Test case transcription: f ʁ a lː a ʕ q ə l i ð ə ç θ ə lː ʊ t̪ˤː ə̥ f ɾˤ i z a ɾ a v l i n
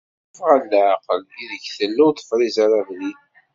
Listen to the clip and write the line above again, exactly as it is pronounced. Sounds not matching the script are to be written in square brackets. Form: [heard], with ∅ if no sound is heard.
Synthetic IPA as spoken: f ʁ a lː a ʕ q ə l i ð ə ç θ ə lː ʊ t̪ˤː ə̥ f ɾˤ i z a ɾ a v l i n